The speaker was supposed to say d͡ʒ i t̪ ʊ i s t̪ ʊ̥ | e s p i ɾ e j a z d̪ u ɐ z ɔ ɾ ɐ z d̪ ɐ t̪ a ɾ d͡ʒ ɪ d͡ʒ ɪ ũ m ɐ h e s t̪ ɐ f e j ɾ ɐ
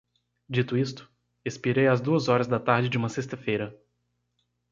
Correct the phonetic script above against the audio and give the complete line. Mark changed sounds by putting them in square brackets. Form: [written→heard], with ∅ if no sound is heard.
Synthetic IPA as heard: d͡ʒ i t̪ ʊ i s t̪ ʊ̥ | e s p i ɾ e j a z d̪ u ɐ z ɔ ɾ ɐ z d̪ ɐ t̪ a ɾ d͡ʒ ɪ d͡ʒ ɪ ũ m ɐ [h→s] e s t̪ ɐ f e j ɾ ɐ